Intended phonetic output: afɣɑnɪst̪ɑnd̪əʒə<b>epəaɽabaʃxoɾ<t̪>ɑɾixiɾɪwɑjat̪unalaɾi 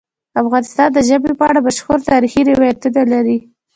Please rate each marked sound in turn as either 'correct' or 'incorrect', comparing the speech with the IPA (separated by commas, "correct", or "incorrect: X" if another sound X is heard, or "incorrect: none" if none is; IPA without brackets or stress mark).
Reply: correct, correct